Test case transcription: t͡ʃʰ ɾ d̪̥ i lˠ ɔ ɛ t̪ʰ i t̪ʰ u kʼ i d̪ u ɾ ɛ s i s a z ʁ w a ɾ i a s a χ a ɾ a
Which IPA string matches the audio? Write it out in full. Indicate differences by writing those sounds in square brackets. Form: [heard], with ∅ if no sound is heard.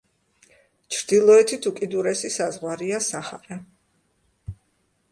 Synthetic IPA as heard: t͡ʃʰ ɾ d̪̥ i lˠ ɔ ɛ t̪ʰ i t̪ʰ u kʼ i d̪ u ɾ ɛ s i s a z ʁ w a ɾ i a s a χ a ɾ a